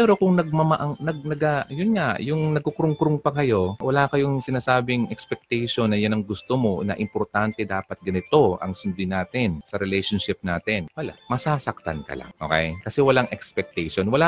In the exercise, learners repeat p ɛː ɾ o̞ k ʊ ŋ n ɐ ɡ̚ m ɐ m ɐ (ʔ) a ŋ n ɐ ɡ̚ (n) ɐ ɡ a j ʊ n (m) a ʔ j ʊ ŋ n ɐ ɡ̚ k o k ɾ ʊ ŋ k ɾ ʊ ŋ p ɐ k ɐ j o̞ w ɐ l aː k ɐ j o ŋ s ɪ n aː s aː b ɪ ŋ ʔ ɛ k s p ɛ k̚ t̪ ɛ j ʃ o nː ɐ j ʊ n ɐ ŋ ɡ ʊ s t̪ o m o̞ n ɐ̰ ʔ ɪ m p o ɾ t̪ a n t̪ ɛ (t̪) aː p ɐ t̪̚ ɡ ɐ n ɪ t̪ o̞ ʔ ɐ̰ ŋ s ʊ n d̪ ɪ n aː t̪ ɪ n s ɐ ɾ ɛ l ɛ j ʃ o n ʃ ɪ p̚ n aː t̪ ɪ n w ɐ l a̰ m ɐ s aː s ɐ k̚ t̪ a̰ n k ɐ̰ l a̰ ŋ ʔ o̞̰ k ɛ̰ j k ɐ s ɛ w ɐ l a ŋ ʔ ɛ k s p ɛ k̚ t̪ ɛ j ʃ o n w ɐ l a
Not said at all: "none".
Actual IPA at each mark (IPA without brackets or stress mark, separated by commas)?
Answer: ʔ, n, ŋ, d̪